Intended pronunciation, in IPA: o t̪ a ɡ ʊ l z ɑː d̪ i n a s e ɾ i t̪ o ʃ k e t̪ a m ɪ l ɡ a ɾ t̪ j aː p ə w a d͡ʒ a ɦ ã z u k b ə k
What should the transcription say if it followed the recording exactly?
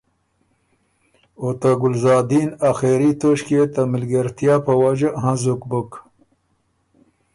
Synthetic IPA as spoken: o t̪ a ɡ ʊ l z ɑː d̪ i n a x e ɾ i t̪ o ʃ k e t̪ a m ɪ l ɡ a ɾ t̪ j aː p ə w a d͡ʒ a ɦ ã z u k b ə k